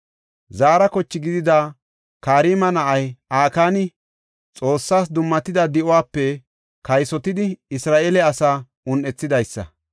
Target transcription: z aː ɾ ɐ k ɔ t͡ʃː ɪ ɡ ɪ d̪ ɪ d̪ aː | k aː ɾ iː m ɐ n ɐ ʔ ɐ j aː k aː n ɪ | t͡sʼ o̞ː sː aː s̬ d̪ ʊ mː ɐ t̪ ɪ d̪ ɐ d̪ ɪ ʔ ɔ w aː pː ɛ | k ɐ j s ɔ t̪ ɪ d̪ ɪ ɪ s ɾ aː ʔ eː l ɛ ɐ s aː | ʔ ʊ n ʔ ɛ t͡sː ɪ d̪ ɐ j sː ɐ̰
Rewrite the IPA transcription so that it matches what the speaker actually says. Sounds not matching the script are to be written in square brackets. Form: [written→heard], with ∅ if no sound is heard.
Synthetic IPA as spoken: z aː ɾ ɐ k ɔ t͡ʃː ɪ ɡ ɪ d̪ ɪ d̪ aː | k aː ɾ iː m ɐ n ɐ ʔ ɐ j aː k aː n ɪ | t͡sʼ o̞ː sː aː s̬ d̪ ʊ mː ɐ t̪ ɪ d̪ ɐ d̪ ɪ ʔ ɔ w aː pː ɛ | k ɐ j s ɔ t̪ ɪ d̪ ɪ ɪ s ɾ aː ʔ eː l ɛ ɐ s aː | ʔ ʊ n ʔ ɛ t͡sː ɪ d̪ ɐ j sː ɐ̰